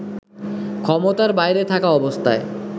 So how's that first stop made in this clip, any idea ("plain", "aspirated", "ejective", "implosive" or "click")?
aspirated